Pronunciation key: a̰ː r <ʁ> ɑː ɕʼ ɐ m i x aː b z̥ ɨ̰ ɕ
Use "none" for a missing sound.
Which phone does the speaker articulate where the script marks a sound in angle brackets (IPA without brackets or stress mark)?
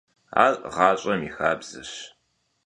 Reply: ʁ